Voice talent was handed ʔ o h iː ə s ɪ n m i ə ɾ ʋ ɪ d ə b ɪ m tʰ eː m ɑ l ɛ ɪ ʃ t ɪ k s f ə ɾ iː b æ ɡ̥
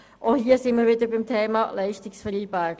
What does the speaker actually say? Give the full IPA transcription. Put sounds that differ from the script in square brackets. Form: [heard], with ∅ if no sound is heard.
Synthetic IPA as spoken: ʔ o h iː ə s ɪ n m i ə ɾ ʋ ɪ d ə b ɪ m tʰ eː m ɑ l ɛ ɪ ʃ t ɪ k s f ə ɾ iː b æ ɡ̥